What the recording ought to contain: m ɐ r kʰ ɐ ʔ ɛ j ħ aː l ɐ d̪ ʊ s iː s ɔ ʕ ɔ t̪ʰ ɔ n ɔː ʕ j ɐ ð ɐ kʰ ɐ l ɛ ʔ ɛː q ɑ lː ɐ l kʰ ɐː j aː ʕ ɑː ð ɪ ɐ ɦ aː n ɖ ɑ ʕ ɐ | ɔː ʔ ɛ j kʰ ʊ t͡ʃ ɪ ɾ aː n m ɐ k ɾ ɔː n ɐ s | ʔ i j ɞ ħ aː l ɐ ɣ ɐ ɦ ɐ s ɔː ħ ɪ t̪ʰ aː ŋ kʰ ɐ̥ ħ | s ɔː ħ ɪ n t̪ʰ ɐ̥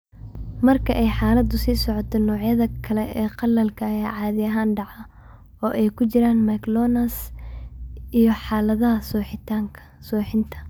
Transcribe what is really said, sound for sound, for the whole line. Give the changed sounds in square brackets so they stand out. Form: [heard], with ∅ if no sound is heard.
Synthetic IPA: m ɐ r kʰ ɐ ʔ ɛ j ħ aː l ɐ d̪ ʊ s iː s ɔ ʕ ɔ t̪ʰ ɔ n ɔː ʕ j ɐ ð ɐ kʰ ɐ l ɛ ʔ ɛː q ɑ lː ɐ l kʰ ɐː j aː ʕ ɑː ð ɪ ɐ ɦ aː n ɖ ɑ ʕ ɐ | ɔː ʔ ɛ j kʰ ʊ t͡ʃ ɪ ɾ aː n m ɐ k [l] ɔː n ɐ s | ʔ i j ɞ ħ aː l ɐ [ð] ɐ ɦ ɐ s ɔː ħ ɪ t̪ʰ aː ŋ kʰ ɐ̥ [∅] | s ɔː ħ ɪ n t̪ʰ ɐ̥